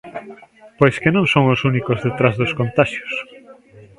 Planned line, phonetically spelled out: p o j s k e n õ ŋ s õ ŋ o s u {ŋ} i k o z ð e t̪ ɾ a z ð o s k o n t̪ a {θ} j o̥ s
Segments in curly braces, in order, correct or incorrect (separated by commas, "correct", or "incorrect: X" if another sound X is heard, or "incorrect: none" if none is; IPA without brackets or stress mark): incorrect: n, incorrect: ʃ